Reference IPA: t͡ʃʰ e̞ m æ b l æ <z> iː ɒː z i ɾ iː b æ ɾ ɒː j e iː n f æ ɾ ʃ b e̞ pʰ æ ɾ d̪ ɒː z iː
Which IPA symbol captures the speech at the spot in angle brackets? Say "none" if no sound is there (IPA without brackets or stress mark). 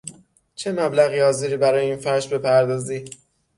ɣ